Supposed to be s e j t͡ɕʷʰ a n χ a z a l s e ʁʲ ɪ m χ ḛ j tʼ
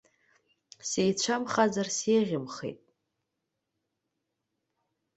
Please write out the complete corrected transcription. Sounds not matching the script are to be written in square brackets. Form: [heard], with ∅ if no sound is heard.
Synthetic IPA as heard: s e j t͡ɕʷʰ a [m] χ a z a [r] s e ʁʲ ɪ m χ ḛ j tʼ